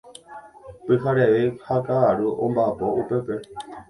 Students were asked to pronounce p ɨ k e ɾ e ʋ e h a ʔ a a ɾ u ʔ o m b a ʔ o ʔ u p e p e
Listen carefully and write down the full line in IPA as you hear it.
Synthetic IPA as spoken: p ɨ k a ɾ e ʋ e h a k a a ɾ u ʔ o m b a p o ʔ u p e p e